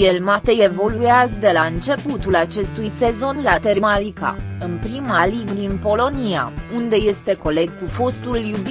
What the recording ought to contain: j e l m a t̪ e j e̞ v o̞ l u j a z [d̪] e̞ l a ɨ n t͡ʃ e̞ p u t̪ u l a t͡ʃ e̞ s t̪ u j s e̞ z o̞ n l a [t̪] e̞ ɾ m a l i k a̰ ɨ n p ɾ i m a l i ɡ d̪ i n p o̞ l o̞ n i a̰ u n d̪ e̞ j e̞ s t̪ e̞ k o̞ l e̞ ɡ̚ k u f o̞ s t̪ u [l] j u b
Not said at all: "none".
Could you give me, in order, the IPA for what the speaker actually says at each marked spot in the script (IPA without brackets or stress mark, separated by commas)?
d̪, t̪, l